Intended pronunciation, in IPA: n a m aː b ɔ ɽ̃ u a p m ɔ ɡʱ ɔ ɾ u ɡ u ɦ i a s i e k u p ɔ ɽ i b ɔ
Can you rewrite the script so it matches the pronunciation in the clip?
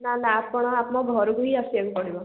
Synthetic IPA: n a n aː p ɔ ɽ̃ ɔ a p m ɔ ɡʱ ɔ ɾ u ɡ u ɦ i a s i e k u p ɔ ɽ i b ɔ